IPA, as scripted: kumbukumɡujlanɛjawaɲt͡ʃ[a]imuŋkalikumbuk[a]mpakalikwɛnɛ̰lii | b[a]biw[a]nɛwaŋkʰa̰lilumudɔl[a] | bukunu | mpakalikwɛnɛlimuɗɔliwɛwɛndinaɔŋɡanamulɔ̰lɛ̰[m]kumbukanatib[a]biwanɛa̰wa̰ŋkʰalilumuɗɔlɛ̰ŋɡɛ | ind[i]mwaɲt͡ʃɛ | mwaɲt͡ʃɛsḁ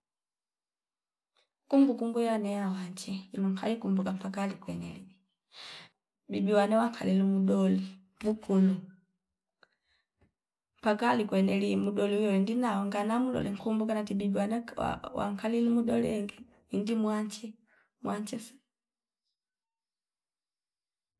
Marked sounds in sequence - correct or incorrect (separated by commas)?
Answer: incorrect, correct, incorrect, correct, incorrect, incorrect, incorrect, correct